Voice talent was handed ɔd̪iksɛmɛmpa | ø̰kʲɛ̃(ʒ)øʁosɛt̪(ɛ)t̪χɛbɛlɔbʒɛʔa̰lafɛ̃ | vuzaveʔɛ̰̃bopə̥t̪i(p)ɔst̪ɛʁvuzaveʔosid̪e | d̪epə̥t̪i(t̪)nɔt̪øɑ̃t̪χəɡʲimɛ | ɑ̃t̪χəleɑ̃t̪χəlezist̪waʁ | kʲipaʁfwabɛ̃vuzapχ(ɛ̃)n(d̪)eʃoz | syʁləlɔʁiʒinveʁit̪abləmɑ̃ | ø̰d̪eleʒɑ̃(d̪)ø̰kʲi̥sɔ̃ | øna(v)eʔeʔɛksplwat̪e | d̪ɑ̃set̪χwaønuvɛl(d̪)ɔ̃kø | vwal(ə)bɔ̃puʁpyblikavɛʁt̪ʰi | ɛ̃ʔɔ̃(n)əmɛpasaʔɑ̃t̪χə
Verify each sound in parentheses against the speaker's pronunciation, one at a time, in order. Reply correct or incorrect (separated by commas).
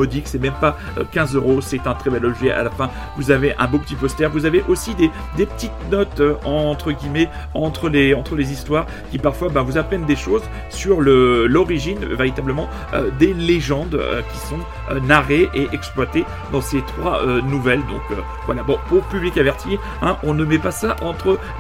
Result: incorrect, incorrect, correct, correct, incorrect, correct, correct, incorrect, correct, incorrect, correct